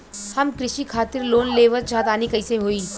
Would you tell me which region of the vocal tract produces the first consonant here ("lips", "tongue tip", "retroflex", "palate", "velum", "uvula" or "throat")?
throat